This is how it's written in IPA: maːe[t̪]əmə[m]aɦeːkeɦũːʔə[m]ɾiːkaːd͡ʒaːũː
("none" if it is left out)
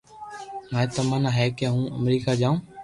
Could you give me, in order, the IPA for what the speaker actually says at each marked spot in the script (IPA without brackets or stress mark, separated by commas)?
t̪, n, m